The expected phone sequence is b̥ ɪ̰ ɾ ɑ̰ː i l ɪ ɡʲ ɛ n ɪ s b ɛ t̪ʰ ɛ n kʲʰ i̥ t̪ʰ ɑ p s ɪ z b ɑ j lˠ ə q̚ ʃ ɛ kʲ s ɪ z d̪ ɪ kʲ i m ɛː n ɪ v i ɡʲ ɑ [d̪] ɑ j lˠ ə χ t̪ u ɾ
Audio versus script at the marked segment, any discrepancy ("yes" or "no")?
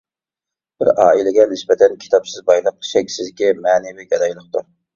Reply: no